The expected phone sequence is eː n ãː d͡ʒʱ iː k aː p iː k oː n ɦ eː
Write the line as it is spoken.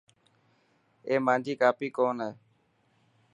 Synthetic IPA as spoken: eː m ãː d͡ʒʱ iː k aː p iː k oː n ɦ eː